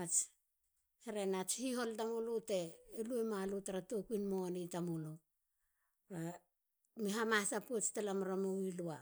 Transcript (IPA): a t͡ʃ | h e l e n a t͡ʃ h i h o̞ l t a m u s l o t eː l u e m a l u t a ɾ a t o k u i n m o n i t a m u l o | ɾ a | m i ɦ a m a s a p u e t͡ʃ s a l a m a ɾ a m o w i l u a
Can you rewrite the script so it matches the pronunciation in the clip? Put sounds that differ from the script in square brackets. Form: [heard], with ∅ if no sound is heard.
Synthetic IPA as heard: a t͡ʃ | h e [ɾ] e n a t͡ʃ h i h o̞ l t a m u [∅] l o t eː l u e m a l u t a ɾ a t o k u i n m o n i t a m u l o | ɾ a | m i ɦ a m a s a p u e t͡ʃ [t] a l a m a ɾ a m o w i l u a